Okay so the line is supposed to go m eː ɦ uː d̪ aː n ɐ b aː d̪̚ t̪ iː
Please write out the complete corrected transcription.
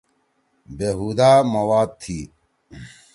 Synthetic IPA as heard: b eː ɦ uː d̪ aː m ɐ w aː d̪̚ t̪ʰ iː